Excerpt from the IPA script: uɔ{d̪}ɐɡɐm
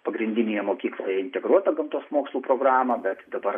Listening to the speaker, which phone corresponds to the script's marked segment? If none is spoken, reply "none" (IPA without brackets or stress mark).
t̪